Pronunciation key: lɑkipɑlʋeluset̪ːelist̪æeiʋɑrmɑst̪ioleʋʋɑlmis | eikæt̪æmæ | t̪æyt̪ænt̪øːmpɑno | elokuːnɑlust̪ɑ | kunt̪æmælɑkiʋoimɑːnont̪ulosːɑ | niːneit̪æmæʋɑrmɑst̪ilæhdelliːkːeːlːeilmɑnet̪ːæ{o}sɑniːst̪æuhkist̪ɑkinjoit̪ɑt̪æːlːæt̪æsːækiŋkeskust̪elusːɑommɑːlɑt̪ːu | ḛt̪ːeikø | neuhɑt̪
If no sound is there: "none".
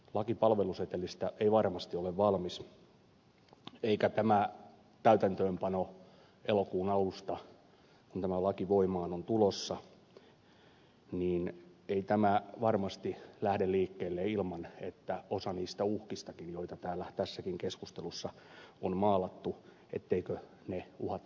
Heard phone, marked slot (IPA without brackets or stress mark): o